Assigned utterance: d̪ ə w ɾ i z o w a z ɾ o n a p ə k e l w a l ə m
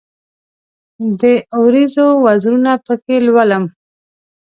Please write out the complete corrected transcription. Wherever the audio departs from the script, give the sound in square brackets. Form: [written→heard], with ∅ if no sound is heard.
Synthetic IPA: d̪ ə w ɾ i z o w a z ɾ [o→u] n a p ə k e l w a l ə m